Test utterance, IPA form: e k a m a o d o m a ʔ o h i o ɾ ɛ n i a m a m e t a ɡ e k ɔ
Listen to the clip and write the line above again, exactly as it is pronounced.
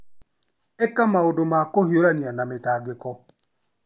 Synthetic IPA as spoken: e k a m a o d o m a k o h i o ɾ a n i a n a m e t a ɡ e k ɔ